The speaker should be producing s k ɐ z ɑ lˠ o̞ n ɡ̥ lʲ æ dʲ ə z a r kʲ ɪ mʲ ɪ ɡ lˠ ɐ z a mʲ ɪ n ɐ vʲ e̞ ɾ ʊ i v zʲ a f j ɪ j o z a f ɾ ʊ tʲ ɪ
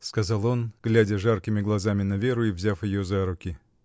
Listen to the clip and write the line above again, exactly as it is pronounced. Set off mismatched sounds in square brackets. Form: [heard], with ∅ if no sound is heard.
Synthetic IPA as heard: s k ɐ z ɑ lˠ o̞ n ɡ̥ lʲ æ dʲ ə [ʐ] a r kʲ ɪ mʲ ɪ ɡ lˠ ɐ z a mʲ ɪ n ɐ vʲ e̞ ɾ ʊ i v zʲ a f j ɪ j o z a [∅] ɾ ʊ [kʲ] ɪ